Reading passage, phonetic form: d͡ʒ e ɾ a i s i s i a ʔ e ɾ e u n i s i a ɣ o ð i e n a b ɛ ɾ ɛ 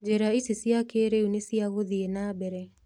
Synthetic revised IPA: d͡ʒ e ɾ a i s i s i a k e ɾ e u n e s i a ɣ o ð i e n a b ɛ ɾ ɛ